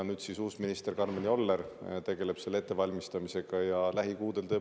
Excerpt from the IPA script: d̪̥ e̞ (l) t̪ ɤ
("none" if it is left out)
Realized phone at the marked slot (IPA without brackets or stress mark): l